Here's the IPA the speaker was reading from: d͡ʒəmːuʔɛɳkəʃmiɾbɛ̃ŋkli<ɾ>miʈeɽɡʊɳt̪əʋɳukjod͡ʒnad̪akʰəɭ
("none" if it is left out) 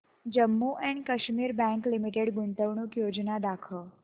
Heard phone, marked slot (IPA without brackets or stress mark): none